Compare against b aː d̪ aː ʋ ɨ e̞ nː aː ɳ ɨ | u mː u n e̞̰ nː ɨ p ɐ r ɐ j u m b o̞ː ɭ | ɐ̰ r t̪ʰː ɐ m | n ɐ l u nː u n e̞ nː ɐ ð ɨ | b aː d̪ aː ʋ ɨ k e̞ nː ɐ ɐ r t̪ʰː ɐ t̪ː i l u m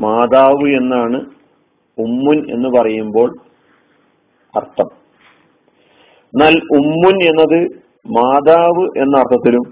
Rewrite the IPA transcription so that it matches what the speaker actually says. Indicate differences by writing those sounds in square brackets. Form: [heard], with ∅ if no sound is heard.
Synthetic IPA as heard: [m] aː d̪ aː ʋ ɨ e̞ nː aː ɳ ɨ | u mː u n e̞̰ nː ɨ p ɐ r ɐ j u m b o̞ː ɭ | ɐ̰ r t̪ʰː ɐ m | n ɐ l u [mː] u n e̞ nː ɐ ð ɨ | [m] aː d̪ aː ʋ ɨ [ʔ] e̞ nː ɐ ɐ r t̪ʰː ɐ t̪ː i l u m